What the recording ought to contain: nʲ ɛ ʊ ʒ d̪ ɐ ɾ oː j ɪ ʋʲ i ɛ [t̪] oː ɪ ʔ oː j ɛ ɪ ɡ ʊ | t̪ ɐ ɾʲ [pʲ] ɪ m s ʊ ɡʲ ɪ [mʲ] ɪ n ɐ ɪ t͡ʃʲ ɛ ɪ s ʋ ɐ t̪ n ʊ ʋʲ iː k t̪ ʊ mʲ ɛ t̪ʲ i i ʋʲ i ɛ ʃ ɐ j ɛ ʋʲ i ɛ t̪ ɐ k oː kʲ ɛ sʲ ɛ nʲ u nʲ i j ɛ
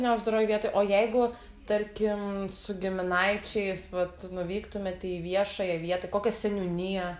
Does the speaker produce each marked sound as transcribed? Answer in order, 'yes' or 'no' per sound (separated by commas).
yes, no, yes